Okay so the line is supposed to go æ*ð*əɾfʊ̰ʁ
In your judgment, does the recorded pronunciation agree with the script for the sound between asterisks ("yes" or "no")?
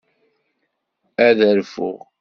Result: yes